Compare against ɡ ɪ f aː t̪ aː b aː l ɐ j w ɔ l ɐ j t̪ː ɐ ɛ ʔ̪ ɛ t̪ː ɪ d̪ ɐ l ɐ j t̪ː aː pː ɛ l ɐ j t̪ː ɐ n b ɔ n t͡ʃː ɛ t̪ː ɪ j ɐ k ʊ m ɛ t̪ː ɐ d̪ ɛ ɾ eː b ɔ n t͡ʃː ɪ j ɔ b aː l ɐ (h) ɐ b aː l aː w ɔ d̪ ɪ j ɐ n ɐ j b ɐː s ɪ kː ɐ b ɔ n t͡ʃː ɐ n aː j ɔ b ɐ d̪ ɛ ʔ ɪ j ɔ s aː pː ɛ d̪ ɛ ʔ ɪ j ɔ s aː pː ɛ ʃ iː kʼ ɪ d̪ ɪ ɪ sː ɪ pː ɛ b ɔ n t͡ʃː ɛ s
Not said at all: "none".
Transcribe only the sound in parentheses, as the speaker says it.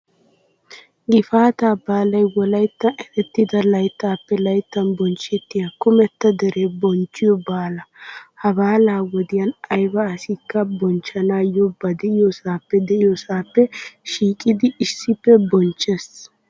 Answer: h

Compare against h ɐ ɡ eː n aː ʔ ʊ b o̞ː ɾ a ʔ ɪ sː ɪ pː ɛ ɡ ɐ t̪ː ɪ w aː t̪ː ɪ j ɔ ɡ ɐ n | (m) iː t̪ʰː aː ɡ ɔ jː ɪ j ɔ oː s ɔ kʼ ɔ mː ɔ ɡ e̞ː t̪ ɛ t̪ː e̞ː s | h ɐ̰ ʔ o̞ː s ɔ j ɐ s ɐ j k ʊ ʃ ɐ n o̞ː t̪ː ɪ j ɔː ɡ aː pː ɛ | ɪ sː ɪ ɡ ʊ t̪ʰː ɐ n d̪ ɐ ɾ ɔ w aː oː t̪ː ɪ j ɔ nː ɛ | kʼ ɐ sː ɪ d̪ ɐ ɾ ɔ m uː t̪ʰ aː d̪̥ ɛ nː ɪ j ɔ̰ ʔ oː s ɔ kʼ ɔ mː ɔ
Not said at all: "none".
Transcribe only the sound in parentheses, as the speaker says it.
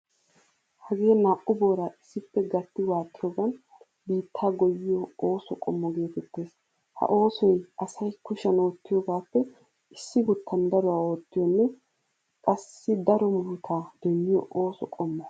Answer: b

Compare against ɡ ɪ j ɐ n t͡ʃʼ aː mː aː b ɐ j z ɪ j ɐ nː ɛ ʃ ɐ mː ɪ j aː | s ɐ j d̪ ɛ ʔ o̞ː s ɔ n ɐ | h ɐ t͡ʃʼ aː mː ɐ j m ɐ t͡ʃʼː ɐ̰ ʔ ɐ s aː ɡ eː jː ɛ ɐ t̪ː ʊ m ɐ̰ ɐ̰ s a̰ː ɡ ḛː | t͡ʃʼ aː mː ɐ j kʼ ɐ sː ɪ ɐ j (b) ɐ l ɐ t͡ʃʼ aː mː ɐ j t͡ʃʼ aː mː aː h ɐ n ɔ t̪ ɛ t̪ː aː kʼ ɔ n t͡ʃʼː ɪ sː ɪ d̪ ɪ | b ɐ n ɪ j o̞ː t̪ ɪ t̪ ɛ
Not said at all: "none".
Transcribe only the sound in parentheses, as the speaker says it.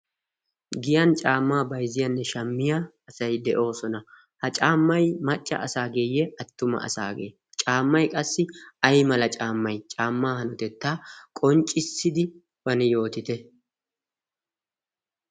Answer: m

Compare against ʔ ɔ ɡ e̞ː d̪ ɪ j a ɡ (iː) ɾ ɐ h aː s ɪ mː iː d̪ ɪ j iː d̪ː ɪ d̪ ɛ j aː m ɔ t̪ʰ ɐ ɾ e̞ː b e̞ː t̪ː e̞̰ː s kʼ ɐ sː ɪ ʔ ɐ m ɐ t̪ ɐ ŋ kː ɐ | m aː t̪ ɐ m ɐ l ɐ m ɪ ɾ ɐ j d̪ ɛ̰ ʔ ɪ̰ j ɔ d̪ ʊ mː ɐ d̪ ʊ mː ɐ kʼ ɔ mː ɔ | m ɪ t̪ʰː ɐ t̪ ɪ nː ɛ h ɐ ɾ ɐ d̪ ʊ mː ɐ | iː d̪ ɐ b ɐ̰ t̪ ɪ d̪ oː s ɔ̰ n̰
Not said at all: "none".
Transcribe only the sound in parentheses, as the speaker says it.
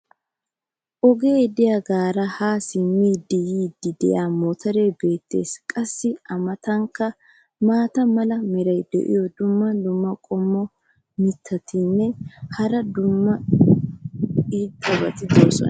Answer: aː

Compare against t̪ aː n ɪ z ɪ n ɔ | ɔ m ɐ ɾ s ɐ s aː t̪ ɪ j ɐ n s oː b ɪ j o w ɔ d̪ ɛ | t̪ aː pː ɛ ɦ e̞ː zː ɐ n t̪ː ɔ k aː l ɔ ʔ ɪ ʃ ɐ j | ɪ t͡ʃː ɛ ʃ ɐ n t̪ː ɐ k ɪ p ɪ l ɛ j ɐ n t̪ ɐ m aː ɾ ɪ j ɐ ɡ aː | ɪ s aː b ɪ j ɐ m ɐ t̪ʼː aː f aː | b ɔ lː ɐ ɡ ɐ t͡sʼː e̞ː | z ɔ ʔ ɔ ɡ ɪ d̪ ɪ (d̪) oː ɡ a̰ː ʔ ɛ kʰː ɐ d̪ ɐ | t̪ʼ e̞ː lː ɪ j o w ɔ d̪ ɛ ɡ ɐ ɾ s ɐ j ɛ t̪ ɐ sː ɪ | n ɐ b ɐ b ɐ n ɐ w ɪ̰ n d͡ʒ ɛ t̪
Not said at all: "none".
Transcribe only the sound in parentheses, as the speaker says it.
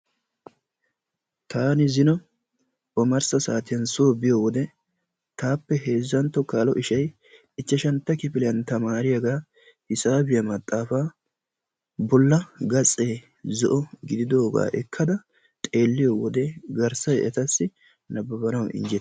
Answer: d̪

